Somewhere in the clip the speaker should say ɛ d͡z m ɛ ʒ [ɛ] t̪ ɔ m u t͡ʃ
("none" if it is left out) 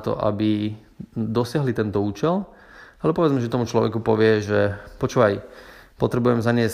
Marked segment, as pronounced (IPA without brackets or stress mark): ɛ